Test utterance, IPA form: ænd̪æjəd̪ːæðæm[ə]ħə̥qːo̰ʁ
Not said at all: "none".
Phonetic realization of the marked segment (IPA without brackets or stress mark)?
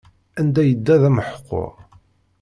ə